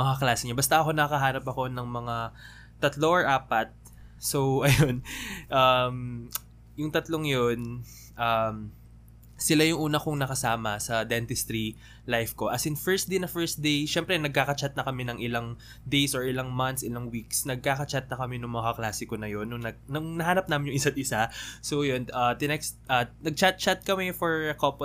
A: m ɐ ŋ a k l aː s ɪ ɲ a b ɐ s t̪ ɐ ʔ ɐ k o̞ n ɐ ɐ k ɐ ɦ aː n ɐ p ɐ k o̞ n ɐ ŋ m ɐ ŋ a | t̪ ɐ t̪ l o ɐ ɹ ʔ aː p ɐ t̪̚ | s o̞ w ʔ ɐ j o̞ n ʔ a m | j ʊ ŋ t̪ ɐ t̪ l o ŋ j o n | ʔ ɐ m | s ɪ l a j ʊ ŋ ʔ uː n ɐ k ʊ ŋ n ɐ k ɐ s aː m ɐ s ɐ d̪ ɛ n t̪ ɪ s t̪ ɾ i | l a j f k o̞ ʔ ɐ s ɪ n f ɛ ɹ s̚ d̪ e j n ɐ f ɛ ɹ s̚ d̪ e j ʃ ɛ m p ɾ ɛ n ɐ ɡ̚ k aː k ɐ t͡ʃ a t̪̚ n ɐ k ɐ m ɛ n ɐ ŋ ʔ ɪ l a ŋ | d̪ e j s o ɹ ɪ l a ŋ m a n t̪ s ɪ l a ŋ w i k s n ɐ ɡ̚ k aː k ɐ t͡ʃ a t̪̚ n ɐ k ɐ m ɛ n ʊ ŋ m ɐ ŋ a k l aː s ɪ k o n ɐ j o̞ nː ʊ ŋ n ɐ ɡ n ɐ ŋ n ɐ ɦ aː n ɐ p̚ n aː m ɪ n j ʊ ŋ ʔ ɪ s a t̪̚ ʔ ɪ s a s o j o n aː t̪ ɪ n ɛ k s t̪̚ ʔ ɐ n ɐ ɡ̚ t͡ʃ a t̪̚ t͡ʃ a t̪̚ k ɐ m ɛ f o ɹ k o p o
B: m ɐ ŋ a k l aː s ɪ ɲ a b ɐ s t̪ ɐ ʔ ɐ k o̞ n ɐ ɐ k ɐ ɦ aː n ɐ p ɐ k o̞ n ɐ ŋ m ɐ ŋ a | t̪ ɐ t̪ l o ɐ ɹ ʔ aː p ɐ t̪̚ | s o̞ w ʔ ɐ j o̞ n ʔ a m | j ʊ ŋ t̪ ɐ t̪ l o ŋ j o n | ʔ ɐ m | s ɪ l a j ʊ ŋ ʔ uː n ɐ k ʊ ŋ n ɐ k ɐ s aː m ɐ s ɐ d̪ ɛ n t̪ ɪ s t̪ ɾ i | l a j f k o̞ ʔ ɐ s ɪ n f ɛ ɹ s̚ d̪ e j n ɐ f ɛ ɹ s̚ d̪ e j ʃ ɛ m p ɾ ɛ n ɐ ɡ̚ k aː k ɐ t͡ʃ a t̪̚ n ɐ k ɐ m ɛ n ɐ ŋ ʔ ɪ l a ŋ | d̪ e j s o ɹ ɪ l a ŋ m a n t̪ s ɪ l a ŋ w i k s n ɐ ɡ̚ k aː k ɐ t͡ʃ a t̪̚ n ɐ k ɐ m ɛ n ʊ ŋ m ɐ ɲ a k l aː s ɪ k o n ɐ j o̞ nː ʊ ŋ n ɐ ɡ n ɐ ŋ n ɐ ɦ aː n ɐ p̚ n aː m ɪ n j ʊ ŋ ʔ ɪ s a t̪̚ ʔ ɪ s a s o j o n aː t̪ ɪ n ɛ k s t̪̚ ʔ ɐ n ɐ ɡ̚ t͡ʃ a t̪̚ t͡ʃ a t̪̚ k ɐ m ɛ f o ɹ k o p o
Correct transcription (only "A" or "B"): A